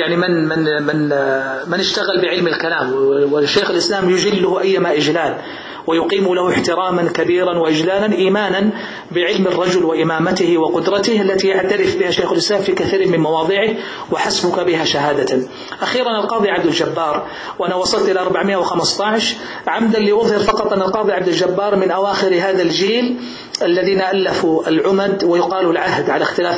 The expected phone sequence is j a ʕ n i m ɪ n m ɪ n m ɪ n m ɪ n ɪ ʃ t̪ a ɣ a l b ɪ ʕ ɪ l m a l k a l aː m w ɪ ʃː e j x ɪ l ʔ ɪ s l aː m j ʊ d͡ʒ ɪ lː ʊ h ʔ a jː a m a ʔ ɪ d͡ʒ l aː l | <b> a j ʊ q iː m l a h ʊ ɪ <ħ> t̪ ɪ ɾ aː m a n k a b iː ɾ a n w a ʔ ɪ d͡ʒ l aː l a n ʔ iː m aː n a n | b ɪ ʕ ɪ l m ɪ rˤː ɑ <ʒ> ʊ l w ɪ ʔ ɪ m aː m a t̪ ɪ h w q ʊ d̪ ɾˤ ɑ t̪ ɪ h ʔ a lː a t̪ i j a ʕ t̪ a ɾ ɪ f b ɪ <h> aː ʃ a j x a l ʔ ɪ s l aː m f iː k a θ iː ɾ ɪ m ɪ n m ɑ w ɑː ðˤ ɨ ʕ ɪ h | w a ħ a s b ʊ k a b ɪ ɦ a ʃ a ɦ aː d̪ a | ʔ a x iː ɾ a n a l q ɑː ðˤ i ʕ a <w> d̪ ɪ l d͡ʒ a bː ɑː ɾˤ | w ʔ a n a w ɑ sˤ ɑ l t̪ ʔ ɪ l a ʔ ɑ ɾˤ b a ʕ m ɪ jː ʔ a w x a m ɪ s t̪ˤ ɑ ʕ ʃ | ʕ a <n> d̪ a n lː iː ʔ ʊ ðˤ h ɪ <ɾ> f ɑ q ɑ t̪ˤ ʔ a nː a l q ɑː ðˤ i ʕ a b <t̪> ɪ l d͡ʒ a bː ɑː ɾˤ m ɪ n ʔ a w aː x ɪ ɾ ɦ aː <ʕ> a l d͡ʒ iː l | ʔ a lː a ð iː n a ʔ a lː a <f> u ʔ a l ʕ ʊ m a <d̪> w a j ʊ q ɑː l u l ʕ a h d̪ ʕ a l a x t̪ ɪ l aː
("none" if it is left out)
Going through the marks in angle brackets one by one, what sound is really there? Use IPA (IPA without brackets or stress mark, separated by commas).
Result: w, ħ, d͡ʒ, h, b, m, ɾ, d̪, ð, f, d̪